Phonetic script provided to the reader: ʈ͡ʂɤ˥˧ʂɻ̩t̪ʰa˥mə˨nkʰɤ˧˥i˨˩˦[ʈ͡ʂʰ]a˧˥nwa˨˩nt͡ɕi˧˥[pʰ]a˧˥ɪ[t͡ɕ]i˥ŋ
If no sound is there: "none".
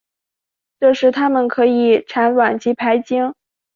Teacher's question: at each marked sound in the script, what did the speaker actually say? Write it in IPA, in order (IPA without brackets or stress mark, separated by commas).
ʈ͡ʂʰ, pʰ, t͡ɕ